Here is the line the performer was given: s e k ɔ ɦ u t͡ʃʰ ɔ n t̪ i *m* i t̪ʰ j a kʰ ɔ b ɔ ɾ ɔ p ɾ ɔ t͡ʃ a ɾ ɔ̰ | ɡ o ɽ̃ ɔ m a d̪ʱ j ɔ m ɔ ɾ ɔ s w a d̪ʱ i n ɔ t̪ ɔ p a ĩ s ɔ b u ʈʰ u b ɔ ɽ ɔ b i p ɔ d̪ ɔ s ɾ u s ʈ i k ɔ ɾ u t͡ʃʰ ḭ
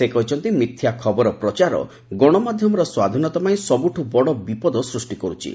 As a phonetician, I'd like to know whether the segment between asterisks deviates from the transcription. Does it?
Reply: no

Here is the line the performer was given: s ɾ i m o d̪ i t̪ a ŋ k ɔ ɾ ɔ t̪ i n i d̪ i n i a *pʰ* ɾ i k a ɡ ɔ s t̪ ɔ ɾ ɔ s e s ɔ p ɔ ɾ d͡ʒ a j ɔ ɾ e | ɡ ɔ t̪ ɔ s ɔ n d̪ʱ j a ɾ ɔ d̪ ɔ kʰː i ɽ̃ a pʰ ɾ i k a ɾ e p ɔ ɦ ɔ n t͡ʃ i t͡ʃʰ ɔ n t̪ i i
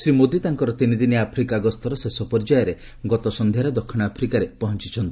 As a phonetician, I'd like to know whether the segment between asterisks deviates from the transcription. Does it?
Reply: no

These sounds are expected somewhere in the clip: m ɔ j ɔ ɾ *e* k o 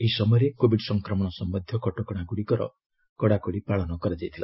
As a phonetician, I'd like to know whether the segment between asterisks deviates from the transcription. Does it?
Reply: no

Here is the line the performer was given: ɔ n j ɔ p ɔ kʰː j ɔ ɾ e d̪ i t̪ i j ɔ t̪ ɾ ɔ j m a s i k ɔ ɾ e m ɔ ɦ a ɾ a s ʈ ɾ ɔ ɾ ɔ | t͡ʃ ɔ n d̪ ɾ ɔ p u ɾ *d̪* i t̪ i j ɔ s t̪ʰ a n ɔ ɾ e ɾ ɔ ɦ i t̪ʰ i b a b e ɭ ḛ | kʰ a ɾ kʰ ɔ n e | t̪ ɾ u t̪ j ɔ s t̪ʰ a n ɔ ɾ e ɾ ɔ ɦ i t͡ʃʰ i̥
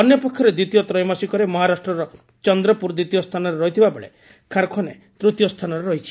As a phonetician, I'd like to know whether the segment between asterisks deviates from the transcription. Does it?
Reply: no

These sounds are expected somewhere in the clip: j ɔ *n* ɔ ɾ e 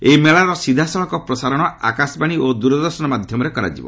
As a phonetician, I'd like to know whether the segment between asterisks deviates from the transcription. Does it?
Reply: yes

